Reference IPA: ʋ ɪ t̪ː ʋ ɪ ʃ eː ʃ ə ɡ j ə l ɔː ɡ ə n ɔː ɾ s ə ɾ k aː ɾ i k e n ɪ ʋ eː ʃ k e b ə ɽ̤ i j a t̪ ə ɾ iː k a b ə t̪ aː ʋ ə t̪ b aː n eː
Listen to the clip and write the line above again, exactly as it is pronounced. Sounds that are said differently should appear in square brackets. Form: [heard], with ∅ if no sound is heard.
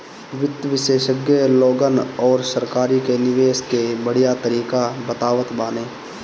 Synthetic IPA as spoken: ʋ ɪ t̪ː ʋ ɪ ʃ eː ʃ ə ɡ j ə l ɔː ɡ ə n ɔː ɾ s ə ɾ k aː ɾ i k e n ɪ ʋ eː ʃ k e b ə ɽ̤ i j a t̪ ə ɾ iː k a b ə t̪ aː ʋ ə t̪ b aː n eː